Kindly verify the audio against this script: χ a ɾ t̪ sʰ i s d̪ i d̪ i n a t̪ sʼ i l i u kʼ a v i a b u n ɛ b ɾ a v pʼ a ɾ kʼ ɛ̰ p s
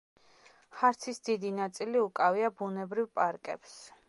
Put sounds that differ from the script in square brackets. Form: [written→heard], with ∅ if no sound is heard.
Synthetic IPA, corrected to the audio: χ a ɾ t̪ sʰ i s d̪ i d̪ i n a t̪ sʼ i l i u kʼ a v i a b u n ɛ b ɾ [a→i] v pʼ a ɾ kʼ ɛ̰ p s